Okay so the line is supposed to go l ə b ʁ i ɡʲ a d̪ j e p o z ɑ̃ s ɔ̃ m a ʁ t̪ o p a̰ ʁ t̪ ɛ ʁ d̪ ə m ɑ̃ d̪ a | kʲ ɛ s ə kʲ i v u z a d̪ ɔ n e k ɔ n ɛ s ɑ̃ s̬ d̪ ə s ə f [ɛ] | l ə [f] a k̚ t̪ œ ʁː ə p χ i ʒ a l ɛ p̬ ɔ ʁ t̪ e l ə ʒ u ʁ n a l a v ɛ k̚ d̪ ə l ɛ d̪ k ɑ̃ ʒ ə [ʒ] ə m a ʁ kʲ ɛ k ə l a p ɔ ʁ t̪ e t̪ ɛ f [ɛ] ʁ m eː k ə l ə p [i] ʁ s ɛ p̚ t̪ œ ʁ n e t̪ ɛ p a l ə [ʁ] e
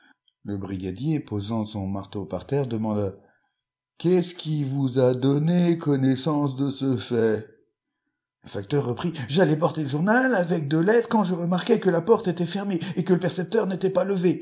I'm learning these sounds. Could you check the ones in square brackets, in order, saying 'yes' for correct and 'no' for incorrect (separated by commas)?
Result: yes, yes, no, yes, no, no